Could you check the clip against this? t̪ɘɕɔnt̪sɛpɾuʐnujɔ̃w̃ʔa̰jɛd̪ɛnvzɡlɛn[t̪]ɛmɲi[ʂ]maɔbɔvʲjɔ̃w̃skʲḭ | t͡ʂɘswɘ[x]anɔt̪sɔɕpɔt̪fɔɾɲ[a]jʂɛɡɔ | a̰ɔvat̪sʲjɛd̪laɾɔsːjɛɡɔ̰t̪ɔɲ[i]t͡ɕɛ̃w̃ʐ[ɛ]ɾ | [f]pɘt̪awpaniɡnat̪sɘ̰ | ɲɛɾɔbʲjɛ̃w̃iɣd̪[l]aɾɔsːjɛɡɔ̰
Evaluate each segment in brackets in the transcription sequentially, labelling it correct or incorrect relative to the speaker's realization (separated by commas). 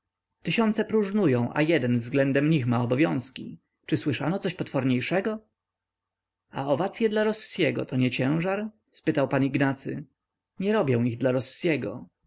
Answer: incorrect, incorrect, incorrect, incorrect, incorrect, incorrect, incorrect, correct